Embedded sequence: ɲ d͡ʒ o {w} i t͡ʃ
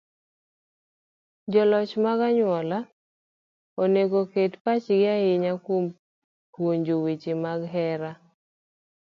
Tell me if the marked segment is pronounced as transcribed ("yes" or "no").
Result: yes